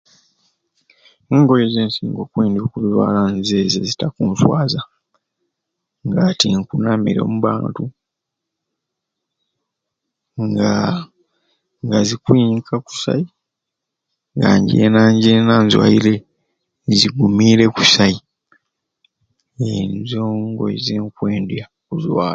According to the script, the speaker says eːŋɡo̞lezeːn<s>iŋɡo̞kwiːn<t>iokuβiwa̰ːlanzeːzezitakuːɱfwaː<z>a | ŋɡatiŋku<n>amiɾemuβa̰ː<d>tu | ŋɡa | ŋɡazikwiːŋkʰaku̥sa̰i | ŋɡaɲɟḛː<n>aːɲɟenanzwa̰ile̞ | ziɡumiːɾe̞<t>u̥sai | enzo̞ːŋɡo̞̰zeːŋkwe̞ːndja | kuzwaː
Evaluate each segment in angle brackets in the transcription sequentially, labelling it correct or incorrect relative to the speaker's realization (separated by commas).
correct, incorrect, correct, correct, incorrect, correct, incorrect